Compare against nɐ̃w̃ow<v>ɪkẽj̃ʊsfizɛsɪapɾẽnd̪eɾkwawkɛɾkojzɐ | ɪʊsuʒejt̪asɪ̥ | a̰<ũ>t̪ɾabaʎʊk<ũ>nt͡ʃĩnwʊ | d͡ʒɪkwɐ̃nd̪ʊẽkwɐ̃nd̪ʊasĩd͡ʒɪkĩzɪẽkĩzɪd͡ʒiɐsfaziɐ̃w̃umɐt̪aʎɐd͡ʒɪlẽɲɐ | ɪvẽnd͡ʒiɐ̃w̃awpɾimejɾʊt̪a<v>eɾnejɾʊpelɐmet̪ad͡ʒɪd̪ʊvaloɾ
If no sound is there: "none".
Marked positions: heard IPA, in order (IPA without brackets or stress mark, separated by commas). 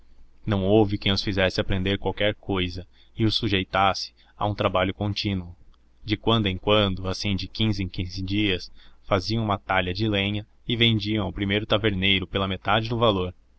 v, ũ, õ, v